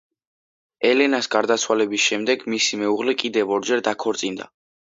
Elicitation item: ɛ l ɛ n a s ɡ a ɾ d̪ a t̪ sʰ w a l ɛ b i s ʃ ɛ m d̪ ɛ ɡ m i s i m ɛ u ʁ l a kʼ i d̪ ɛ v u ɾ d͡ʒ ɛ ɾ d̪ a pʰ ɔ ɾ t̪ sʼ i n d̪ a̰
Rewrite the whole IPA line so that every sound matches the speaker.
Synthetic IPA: ɛ l ɛ n a s ɡ a ɾ d̪ a t̪ sʰ w a l ɛ b i s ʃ ɛ m d̪ ɛ ɡ m i s i m ɛ u ʁ l ɛ kʼ i d̪ ɛ v ɔ ɾ d͡ʒ ɛ ɾ d̪ a kʰ ɔ ɾ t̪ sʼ i n d̪ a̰